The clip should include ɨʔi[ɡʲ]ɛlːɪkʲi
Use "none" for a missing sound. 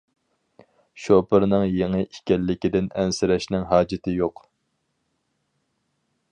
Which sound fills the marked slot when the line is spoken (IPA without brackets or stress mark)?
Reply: kʲ